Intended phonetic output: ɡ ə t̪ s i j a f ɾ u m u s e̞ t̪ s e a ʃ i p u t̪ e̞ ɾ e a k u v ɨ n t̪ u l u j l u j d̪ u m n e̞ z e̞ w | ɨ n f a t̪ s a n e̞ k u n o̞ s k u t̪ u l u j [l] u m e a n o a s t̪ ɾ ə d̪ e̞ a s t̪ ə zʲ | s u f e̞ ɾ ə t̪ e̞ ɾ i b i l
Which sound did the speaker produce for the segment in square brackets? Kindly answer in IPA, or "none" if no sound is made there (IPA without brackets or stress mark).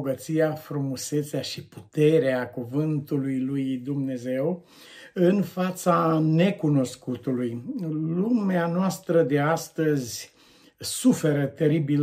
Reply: l